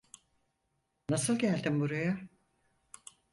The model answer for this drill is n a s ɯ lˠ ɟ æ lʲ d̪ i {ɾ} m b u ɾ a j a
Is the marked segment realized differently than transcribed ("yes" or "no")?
yes